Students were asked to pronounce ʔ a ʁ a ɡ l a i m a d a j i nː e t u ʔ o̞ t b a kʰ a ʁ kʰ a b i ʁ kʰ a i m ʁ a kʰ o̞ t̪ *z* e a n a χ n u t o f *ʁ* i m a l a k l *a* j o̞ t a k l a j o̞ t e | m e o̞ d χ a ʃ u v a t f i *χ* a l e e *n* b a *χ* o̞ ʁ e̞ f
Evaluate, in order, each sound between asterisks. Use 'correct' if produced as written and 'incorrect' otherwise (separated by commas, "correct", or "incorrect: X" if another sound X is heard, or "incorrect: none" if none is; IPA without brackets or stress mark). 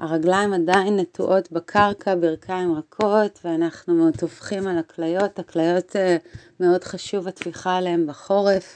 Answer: incorrect: v, incorrect: χ, correct, correct, incorrect: m, correct